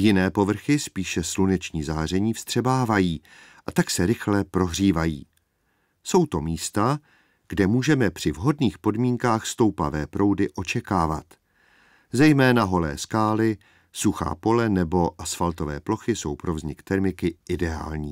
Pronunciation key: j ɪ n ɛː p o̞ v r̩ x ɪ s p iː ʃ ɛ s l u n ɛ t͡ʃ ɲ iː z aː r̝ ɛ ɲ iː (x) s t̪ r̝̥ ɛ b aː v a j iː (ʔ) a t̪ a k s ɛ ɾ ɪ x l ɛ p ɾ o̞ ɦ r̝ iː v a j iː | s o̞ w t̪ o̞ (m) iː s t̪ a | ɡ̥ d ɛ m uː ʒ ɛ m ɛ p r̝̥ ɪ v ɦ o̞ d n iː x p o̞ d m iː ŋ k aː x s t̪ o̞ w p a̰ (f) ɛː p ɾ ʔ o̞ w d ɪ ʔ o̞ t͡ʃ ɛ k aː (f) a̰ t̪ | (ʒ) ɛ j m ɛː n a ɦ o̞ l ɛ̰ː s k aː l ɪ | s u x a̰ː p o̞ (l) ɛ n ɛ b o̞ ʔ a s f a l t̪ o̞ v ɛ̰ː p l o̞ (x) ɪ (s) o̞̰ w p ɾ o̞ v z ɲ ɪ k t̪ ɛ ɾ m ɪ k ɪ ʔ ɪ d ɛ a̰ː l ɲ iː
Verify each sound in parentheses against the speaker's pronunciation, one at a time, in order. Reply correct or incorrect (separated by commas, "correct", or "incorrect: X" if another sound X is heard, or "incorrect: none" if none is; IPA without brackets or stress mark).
incorrect: f, correct, correct, incorrect: v, incorrect: v, incorrect: z, correct, correct, correct